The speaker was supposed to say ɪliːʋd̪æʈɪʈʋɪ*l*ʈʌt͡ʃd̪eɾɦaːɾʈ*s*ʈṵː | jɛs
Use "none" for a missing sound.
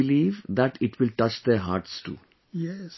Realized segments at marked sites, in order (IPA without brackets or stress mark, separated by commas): l, s